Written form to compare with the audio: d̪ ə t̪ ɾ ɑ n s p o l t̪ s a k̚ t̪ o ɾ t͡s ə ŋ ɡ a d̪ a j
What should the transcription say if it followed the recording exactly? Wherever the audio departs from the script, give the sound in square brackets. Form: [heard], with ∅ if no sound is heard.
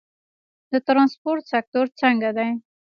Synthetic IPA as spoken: d̪ ə t̪ ɾ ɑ n s p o [ɾ] t̪ s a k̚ t̪ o ɾ t͡s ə ŋ ɡ a d̪ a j